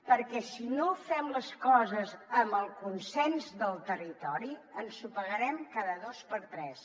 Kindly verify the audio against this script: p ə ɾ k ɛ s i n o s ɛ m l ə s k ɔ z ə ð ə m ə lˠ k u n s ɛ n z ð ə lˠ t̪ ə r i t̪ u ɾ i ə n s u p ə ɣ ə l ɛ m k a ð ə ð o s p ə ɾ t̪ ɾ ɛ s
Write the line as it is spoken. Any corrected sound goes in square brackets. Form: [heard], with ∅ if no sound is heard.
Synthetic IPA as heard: p ə ɾ k ɛ s i n o [f] ɛ m l ə s k ɔ z ə [z] ə m ə lˠ k u n s ɛ n z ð ə lˠ t̪ ə r i t̪ [ɔ] ɾ i ə n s u p ə ɣ ə [ɾ] ɛ m k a ð ə ð o s p ə ɾ t̪ ɾ ɛ s